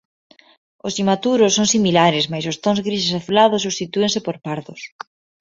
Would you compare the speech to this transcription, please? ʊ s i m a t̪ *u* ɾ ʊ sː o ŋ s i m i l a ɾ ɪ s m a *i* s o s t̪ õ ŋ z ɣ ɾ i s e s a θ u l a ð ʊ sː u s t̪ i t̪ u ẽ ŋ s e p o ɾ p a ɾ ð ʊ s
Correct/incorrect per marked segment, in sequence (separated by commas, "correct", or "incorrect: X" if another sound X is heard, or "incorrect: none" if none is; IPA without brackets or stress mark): correct, incorrect: j